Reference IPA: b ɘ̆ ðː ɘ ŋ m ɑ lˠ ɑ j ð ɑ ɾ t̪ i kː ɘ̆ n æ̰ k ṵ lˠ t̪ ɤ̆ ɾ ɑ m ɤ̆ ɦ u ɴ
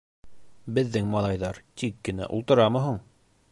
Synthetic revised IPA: b ɘ̆ ðː ɘ ŋ m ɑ lˠ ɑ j ð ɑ ɾ t̪ i kː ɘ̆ n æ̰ ʔ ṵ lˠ t̪ ɤ̆ ɾ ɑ m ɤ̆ ɦ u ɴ